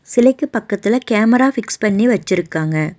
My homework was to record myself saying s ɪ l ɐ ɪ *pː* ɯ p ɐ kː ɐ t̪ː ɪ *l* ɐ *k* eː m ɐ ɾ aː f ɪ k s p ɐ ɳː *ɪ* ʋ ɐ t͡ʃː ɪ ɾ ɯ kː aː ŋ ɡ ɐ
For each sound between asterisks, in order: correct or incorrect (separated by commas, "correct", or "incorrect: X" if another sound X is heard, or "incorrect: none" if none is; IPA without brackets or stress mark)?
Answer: incorrect: kː, correct, correct, incorrect: i